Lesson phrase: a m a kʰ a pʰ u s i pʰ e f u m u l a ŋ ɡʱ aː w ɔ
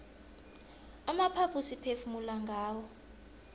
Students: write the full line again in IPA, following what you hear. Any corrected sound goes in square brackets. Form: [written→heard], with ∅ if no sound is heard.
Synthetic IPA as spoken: a m a [kʰ→pʰ] a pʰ u s i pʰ e f u m u l a ŋ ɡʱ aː w ɔ